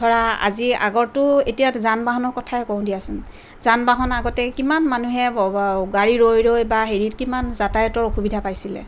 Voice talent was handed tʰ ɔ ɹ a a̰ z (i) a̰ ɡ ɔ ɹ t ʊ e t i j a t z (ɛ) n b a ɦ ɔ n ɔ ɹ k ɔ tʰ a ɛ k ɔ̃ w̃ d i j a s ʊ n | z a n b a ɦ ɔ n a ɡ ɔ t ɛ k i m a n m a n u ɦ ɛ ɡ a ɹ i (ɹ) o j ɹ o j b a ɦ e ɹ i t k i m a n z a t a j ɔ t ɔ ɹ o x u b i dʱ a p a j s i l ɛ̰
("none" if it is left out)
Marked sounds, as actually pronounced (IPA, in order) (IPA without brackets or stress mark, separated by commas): i, a, ɹ